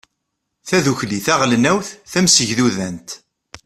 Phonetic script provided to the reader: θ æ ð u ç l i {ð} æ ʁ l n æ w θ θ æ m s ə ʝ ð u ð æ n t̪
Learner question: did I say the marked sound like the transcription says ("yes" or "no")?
no